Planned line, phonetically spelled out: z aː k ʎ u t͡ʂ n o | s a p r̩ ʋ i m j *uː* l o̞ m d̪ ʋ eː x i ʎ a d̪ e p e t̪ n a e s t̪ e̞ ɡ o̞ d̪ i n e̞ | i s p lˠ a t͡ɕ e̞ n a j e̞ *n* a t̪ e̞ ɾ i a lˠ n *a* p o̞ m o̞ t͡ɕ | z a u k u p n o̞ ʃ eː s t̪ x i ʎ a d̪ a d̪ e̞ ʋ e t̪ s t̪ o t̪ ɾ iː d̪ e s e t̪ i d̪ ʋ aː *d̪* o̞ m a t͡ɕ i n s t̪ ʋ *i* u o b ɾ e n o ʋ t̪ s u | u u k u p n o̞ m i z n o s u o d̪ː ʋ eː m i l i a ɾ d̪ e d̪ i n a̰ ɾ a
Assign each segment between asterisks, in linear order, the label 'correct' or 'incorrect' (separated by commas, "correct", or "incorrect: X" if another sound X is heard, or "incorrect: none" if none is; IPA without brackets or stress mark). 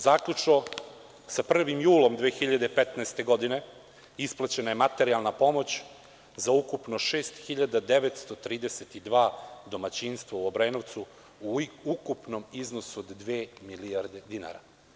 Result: correct, incorrect: m, correct, correct, incorrect: a